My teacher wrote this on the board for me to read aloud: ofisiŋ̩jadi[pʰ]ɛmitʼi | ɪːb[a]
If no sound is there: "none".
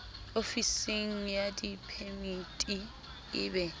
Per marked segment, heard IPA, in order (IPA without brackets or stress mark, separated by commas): pʰ, ɛ